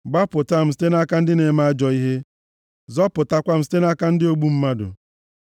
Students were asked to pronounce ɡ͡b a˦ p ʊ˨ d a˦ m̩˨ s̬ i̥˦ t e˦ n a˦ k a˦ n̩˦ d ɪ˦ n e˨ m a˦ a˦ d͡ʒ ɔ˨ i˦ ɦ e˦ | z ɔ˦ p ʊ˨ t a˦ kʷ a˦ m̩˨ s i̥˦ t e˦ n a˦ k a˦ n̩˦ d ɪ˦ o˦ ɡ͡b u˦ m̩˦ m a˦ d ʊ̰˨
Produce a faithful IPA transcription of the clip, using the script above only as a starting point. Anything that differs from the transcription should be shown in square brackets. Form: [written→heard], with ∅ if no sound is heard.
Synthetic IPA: ɡ͡b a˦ p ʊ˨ [d→t] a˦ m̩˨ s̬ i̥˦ t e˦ n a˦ k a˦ n̩˦ d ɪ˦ n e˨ m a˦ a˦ d͡ʒ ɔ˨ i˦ ɦ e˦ | z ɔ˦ p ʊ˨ t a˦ kʷ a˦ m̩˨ s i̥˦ t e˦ n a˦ k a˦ n̩˦ d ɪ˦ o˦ ɡ͡b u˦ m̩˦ m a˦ d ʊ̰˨